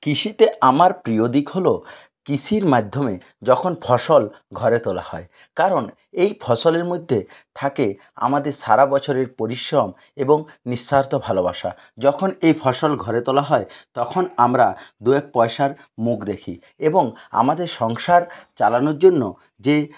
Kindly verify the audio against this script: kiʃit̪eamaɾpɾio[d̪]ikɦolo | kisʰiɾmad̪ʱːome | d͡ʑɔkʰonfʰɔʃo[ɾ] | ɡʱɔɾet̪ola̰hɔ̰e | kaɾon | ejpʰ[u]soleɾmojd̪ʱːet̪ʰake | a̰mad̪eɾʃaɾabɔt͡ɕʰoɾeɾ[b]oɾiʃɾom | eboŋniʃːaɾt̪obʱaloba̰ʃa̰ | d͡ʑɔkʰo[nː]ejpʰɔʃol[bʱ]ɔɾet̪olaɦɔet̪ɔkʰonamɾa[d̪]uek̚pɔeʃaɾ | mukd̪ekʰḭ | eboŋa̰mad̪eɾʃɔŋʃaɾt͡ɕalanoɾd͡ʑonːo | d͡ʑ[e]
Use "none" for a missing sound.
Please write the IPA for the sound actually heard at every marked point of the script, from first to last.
d̪, l, ɔ, p, n, ɡʱ, d̪, e

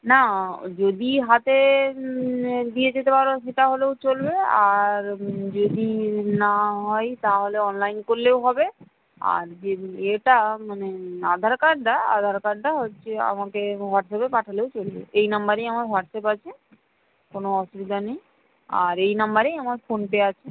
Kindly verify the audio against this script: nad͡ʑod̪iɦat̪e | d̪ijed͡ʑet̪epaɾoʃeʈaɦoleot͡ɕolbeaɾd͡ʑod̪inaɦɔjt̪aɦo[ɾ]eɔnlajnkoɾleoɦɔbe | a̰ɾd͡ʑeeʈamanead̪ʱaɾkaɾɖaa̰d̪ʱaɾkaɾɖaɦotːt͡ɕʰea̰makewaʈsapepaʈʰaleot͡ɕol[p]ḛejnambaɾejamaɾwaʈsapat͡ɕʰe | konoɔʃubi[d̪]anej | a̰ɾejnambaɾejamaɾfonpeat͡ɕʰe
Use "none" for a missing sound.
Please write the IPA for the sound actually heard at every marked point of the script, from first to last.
l, b, d̪

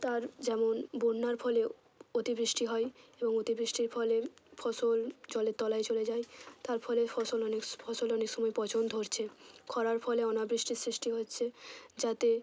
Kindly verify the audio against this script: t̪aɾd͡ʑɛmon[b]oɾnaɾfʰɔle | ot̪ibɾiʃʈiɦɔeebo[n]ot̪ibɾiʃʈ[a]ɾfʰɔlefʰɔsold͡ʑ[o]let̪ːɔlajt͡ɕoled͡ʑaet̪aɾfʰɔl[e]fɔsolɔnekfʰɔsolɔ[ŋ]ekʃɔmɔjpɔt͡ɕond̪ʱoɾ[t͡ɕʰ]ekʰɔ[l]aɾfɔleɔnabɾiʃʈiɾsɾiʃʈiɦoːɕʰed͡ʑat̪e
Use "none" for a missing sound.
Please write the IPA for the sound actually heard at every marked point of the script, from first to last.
b, ŋ, i, ɔ, e, n, t͡ɕʰ, ɾ

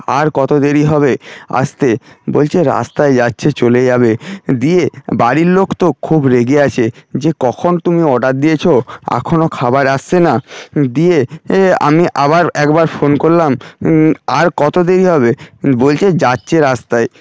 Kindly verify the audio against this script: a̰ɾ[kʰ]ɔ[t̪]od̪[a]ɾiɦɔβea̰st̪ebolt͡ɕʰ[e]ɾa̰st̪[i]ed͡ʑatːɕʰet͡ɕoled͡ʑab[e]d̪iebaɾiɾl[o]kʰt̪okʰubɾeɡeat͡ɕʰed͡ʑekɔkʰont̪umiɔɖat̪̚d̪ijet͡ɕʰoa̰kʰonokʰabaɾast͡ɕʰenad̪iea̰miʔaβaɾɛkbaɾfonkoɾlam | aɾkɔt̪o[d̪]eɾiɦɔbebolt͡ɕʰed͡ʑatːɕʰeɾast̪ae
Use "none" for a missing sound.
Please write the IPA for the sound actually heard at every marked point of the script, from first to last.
k, t̪, e, e, a, e, o, d̪

